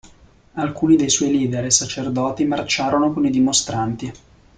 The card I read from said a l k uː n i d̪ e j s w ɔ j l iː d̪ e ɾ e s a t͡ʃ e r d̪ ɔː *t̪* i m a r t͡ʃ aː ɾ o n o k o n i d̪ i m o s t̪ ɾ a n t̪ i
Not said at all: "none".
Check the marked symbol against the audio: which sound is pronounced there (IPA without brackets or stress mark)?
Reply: t̪